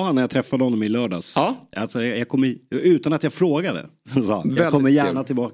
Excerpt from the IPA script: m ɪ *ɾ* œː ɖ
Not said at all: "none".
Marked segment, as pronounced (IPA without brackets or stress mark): l